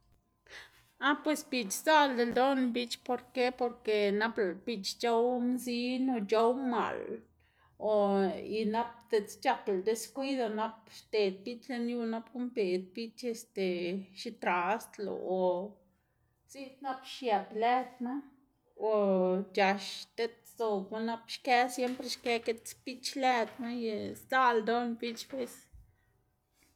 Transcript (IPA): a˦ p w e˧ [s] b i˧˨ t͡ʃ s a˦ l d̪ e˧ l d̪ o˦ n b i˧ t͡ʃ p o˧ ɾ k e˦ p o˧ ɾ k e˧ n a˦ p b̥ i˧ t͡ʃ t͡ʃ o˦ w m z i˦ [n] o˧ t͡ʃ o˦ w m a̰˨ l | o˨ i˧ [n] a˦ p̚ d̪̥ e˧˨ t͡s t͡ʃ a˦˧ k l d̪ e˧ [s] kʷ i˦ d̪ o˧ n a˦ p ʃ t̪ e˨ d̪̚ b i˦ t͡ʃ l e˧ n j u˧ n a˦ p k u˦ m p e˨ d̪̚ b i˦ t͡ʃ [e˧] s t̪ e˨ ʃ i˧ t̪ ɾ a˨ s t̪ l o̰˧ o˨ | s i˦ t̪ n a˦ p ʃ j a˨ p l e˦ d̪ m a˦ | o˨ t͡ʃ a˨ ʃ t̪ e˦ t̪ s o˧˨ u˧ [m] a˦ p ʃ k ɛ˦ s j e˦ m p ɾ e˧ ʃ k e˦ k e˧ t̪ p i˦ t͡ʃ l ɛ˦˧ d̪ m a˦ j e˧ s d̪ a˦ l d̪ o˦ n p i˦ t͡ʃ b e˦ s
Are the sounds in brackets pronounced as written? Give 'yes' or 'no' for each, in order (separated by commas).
yes, yes, yes, yes, yes, no